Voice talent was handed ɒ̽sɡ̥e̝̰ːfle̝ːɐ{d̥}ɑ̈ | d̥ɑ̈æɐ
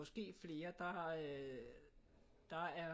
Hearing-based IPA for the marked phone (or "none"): d̥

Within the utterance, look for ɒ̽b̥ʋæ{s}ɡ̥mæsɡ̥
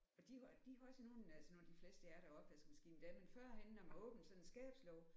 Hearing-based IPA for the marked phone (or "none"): s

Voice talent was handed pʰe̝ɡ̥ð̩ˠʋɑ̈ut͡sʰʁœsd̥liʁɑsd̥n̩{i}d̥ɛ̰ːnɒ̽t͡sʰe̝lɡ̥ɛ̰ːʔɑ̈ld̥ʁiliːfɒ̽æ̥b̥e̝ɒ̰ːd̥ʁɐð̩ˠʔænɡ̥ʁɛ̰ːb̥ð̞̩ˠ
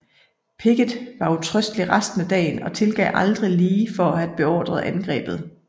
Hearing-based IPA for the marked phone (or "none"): æ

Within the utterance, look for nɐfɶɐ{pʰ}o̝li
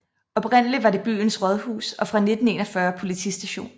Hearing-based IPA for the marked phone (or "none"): pʰ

